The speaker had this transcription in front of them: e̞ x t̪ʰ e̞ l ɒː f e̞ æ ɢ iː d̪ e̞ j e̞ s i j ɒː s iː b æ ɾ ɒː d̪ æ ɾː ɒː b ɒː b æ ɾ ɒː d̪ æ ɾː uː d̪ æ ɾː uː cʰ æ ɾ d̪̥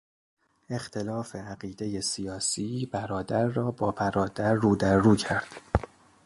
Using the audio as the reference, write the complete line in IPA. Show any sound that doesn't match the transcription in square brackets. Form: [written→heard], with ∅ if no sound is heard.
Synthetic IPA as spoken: e̞ x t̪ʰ e̞ l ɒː f e̞ æ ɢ iː d̪ e̞ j e̞ s i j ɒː s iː b æ ɾ ɒː d̪ æ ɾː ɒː b ɒː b æ ɾ ɒː d̪ æ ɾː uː d̪ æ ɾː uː cʰ æ ɾ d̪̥

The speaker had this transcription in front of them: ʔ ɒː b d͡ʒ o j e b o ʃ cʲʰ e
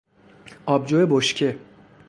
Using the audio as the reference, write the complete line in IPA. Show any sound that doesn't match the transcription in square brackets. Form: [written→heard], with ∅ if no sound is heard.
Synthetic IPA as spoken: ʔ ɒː b d͡ʒ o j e b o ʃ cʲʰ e

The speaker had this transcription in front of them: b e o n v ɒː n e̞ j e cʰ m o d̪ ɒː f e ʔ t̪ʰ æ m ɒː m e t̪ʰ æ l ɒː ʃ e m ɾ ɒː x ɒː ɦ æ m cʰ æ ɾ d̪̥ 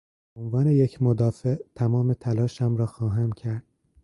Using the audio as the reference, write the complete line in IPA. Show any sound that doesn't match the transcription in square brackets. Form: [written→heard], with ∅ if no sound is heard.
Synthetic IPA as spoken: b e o n v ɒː n e̞ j e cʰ m o d̪ ɒː f e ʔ t̪ʰ æ m ɒː m e t̪ʰ æ l ɒː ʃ [e→æ] m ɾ ɒː x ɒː ɦ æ m cʰ æ ɾ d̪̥

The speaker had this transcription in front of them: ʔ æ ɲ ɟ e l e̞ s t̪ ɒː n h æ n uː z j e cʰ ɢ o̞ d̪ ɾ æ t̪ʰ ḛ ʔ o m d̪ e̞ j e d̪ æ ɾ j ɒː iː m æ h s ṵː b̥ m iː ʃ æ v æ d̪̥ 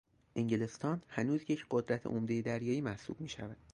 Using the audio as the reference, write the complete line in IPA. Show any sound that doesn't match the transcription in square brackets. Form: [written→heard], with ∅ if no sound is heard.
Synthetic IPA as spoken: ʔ [æ→e] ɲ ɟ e l e̞ s t̪ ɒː n h æ n uː z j e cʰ ɢ o̞ d̪ ɾ æ t̪ʰ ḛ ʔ o m d̪ e̞ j e d̪ æ ɾ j ɒː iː m æ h s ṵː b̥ m iː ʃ æ v æ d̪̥

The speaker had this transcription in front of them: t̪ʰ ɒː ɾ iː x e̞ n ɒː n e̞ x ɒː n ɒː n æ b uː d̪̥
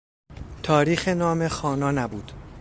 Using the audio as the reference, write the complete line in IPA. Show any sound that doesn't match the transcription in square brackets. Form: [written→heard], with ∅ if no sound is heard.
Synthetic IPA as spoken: t̪ʰ ɒː ɾ iː x e̞ n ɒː [n→m] e̞ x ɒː n ɒː n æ b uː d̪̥

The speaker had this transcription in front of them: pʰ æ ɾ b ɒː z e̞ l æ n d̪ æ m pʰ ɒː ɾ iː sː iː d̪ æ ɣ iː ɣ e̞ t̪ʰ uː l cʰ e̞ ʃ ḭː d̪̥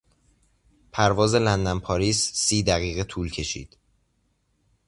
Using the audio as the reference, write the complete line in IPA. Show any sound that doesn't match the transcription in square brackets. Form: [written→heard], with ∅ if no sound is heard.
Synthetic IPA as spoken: pʰ æ ɾ [b→v] ɒː z e̞ l æ n d̪ æ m pʰ ɒː ɾ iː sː iː d̪ æ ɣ iː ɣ e̞ t̪ʰ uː l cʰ e̞ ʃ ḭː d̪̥

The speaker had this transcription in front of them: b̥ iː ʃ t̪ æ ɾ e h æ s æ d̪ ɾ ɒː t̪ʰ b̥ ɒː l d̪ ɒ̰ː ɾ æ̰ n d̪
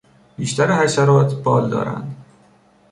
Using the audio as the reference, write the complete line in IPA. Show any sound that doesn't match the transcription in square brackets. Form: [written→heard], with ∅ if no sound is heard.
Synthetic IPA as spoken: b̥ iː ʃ t̪ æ ɾ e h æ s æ [d̪→∅] ɾ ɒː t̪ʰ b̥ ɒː l d̪ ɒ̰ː ɾ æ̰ n d̪

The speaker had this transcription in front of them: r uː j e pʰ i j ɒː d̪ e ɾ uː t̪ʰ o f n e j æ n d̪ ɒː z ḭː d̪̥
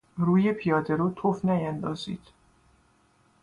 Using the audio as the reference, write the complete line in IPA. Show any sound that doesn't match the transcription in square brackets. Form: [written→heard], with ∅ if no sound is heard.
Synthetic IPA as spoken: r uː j e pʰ i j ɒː d̪ e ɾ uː t̪ʰ o f n [e→æ] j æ n d̪ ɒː z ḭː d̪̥

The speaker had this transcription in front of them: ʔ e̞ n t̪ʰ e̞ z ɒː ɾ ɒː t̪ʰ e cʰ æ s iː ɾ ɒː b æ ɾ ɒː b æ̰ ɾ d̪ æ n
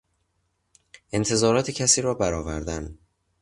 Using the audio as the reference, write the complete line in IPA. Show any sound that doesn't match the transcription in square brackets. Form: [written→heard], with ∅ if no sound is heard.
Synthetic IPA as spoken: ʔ e̞ n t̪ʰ e̞ z ɒː ɾ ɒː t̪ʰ e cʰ æ s iː ɾ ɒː b æ ɾ ɒː [b→v] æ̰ ɾ d̪ æ n

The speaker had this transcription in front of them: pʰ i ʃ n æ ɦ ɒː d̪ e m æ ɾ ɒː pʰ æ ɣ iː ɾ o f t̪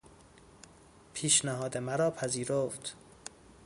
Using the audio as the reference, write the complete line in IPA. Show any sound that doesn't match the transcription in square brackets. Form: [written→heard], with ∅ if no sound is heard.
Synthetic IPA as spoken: pʰ [i→iː] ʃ n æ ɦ ɒː d̪ e m æ ɾ ɒː pʰ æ [ɣ→z] iː ɾ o f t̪

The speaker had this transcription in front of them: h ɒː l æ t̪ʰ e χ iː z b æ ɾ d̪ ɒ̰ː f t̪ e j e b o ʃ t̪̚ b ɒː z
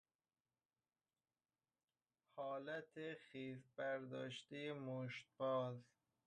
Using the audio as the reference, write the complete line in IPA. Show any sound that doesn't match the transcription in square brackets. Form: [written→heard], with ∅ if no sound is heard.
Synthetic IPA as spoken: h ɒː l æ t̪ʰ e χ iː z b æ ɾ d̪ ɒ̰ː [f→ʃ] t̪ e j e [b→m] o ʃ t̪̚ b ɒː z

